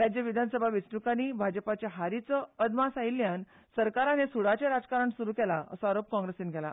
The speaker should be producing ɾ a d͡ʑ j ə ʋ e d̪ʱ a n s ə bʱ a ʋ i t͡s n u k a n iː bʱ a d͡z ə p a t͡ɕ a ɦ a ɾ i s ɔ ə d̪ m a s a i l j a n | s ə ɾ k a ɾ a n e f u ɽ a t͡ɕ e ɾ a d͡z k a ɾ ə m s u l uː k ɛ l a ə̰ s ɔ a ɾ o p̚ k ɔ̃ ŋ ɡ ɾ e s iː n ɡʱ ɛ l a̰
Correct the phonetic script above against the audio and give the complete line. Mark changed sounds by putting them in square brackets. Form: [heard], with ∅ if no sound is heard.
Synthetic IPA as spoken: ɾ a d͡ʑ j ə ʋ [i] d̪ʱ a n s ə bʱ a ʋ i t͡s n u k a n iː bʱ a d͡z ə p a t͡ɕ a ɦ a ɾ i [t͡s] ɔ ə d̪ m a s a i l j a n | s ə ɾ k a ɾ a n e [s] u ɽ a t͡ɕ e ɾ a d͡z k a ɾ ə [ɳ] s u [ɾ] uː k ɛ l a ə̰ s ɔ a ɾ o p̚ k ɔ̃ ŋ ɡ ɾ e s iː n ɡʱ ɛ l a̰